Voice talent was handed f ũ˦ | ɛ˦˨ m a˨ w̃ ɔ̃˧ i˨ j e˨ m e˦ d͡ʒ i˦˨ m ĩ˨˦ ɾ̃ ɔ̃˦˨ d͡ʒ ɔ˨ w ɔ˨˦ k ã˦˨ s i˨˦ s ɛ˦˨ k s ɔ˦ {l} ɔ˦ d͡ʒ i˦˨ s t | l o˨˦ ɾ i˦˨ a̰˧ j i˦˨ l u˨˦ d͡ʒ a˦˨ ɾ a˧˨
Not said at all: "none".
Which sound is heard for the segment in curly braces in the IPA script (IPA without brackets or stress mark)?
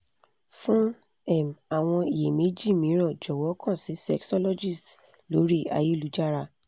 l